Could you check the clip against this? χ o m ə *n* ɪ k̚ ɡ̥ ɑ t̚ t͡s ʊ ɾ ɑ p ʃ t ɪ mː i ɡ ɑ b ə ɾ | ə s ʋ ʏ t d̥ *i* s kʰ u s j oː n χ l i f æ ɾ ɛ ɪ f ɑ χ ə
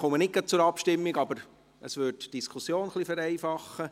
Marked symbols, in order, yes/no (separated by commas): yes, yes